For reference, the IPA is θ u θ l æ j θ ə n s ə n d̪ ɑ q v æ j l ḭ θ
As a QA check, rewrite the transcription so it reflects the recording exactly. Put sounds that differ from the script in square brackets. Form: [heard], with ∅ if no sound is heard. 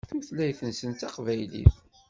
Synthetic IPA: θ u θ l æ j θ ə n s ə n [t̪] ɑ q v æ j l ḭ θ

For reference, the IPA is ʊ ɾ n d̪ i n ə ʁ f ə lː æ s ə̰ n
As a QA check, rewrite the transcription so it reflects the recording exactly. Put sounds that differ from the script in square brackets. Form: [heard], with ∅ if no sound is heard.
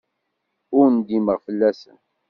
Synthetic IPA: ʊ ɾ n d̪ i [m] ə ʁ f ə lː æ s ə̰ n

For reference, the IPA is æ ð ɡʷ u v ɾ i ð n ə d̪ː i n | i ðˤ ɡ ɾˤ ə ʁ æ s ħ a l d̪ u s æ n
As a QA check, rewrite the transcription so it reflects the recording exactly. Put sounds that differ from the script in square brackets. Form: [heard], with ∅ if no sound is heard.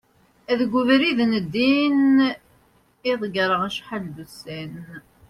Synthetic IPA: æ ð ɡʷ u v ɾ i ð n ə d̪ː i n | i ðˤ ɡ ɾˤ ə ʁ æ [ʃ] ħ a l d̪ u s æ n

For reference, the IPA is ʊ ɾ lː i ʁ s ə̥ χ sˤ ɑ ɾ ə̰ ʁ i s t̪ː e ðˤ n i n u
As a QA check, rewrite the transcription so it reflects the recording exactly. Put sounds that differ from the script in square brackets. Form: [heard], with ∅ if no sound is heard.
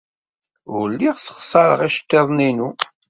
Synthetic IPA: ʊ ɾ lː i ʁ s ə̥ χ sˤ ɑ ɾ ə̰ ʁ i [ʃ] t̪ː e ðˤ n i n u

